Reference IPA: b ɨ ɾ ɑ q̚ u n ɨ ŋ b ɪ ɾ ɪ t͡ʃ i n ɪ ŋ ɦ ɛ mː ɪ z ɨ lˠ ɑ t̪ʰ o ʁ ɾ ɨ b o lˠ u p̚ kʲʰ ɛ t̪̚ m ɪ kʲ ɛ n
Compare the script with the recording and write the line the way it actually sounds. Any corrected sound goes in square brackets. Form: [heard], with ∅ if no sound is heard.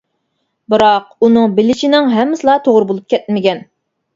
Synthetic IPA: b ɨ ɾ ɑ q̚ u n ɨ ŋ b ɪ [l] ɪ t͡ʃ i n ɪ ŋ ɦ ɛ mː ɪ [s] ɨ lˠ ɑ t̪ʰ o ʁ ɾ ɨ b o lˠ u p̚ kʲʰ ɛ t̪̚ m ɪ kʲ ɛ n